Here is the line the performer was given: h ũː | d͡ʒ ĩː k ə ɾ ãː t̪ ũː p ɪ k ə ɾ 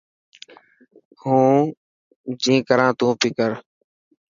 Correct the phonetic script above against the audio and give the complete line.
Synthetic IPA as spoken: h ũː | d͡ʒ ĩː k ə ɾ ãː t̪ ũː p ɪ k ə ɾ